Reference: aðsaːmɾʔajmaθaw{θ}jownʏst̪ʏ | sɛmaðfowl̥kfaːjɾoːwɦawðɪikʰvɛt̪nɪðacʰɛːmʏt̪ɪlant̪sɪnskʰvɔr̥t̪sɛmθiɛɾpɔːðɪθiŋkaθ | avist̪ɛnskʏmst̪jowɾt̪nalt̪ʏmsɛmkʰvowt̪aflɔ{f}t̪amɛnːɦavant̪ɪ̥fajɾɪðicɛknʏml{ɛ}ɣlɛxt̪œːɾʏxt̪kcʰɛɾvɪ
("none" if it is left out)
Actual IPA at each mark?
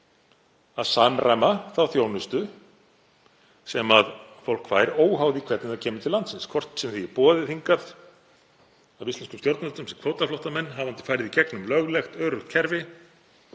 θ, h, œ

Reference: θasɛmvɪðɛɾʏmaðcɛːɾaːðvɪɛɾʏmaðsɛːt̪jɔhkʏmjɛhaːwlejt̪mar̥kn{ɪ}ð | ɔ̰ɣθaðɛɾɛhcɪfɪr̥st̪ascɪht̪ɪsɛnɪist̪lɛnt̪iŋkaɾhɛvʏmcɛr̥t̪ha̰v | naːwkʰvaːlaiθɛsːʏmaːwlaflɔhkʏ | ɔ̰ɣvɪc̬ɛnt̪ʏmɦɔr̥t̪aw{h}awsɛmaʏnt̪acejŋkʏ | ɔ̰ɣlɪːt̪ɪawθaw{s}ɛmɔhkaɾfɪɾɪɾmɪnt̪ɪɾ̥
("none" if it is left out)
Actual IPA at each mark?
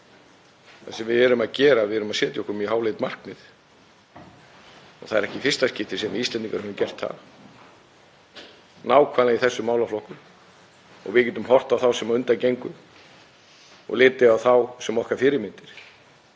ɪ, θ, s

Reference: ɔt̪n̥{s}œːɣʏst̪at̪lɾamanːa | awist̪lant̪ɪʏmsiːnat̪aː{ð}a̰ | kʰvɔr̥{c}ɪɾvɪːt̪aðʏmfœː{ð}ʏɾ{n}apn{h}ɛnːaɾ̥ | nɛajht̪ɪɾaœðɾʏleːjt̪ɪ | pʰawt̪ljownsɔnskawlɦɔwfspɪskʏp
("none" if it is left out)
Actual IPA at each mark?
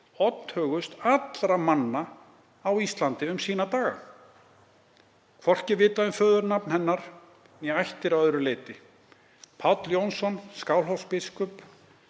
h, ɣ, c, ð, n, h

